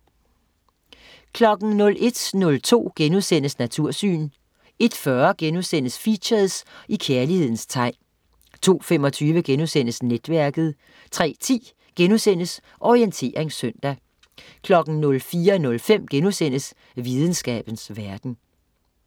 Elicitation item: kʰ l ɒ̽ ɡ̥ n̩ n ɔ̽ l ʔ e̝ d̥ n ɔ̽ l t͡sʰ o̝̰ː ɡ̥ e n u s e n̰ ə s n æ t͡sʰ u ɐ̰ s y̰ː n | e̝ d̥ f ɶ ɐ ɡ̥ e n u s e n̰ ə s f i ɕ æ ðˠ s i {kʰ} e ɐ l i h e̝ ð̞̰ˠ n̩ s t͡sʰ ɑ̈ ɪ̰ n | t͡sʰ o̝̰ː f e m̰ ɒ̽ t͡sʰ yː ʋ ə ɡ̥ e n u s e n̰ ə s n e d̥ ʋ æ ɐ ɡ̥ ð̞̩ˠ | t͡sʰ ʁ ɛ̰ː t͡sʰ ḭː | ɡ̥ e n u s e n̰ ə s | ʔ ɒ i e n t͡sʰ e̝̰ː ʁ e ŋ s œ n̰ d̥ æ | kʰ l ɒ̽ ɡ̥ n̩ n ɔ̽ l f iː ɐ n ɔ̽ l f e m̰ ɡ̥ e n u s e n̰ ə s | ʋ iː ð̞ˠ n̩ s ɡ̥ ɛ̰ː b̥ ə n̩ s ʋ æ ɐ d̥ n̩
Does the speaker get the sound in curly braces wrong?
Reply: no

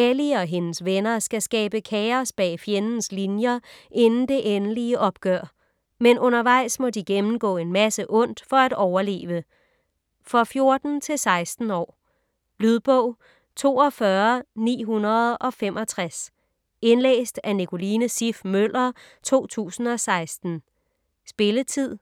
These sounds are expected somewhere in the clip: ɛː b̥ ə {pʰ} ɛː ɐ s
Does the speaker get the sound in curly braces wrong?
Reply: yes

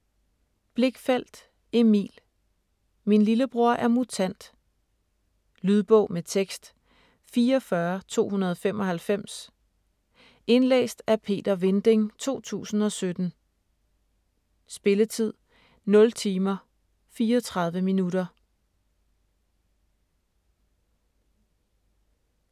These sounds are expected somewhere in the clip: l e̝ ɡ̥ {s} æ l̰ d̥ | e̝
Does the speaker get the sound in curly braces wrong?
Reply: yes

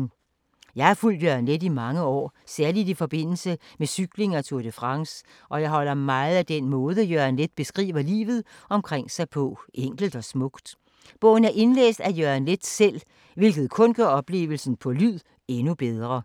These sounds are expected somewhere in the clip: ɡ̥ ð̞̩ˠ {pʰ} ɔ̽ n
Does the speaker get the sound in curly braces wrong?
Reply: yes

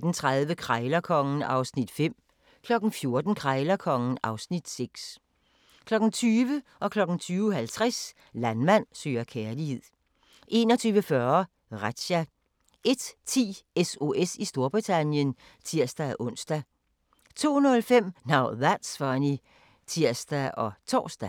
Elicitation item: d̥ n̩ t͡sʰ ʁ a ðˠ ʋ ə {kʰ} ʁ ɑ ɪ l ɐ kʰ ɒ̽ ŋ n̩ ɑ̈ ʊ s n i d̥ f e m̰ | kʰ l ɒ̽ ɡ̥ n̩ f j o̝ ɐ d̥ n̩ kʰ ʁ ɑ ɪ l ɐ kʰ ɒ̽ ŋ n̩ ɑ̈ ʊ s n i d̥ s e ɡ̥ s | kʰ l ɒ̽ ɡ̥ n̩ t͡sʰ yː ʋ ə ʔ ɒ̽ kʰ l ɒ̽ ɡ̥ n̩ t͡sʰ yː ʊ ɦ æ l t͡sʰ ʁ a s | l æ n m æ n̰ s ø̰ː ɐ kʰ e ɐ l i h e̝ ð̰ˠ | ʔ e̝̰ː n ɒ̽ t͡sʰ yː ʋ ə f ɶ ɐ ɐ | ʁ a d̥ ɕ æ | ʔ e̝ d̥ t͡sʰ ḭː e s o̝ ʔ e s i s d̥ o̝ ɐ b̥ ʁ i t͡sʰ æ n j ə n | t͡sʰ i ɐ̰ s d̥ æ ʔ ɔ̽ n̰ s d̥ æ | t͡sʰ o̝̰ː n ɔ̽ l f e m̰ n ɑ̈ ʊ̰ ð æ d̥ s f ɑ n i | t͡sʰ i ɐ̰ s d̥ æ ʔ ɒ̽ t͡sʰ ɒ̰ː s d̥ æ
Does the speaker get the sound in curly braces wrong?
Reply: no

